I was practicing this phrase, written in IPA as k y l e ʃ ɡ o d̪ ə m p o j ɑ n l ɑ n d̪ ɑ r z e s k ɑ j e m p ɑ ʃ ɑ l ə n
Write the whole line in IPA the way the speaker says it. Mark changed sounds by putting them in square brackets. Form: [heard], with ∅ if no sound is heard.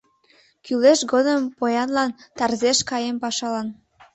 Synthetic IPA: k y l e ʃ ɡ o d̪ ə m p o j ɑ n l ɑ n [t̪] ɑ r z e [ʃ] k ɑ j e m p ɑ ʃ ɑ l [ɑ] n